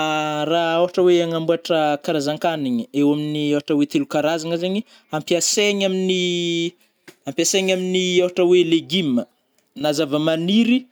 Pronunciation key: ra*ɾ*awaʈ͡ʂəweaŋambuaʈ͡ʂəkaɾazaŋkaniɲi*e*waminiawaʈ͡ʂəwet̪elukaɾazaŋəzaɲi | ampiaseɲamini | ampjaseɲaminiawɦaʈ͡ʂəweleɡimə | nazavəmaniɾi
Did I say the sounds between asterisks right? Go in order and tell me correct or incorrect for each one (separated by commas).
incorrect, correct